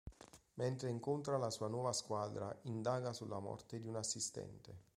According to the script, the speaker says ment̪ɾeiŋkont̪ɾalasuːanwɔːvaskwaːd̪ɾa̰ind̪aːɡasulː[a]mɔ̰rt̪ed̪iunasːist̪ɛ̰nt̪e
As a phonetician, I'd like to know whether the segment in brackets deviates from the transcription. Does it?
no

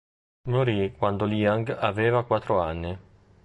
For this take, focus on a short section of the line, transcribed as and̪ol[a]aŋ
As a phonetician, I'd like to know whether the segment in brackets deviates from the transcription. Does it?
yes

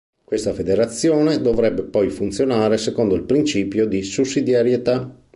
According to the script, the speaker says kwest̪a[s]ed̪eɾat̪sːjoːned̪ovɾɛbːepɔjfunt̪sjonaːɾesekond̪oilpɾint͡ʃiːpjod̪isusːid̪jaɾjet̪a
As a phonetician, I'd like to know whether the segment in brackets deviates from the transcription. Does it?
yes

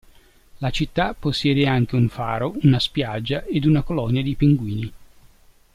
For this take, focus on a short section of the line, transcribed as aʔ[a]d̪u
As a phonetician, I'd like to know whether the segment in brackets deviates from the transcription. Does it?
yes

